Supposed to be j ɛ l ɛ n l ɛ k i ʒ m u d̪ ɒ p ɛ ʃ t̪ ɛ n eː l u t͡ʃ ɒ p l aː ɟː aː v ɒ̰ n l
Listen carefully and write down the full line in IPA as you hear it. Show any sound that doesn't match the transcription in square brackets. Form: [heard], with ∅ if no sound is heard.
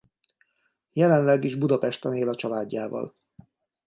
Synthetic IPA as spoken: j ɛ l ɛ n l ɛ [ɡ] i ʒ [b] u d̪ ɒ p ɛ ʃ t̪ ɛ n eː l [ɒ] t͡ʃ ɒ [∅] l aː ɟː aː v ɒ̰ [∅] l